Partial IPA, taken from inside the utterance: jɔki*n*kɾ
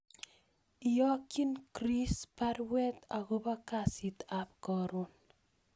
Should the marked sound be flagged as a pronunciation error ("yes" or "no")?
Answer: no